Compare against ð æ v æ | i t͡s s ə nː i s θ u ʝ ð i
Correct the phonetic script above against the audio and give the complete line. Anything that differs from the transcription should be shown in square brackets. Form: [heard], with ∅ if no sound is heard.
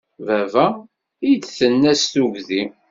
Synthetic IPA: [v] æ v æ | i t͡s [θ] ə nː [æ] s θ u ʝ ð i